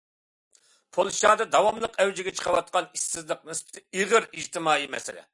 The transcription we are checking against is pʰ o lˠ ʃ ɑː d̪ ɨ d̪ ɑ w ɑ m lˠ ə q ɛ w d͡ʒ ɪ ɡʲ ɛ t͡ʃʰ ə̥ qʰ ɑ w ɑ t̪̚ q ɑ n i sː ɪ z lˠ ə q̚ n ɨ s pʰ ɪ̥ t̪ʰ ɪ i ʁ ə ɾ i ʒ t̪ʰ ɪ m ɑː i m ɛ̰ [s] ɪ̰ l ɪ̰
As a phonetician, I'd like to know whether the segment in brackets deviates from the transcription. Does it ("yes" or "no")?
no